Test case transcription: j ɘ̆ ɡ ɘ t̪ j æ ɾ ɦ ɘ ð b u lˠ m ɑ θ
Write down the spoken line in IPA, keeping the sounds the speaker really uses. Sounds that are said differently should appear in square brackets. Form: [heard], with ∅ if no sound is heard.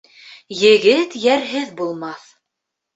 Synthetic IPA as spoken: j ɘ̆ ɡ ɘ t̪ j æ ɾ ɦ ɘ ð b u lˠ m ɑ θ